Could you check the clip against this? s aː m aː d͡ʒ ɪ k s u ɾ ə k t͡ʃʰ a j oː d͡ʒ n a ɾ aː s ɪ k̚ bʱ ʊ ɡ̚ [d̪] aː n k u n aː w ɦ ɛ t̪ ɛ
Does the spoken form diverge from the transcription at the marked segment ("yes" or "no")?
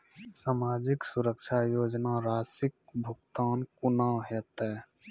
yes